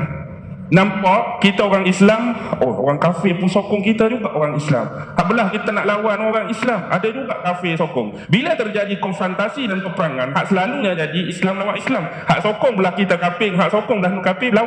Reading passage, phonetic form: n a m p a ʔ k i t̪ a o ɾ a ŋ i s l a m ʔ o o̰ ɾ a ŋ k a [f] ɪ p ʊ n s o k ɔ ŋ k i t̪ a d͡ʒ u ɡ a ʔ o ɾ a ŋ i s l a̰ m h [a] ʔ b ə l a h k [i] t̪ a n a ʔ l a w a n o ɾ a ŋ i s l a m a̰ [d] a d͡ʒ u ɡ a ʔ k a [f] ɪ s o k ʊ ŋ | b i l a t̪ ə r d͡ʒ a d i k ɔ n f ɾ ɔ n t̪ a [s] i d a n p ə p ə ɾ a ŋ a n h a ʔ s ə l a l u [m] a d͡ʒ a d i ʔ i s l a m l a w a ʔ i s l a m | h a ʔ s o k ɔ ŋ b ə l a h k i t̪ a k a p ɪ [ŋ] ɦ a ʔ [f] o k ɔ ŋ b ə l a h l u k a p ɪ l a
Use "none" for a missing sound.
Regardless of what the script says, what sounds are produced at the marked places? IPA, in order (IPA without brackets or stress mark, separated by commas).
f, a, i, d, f, s, ɲ, ŋ, s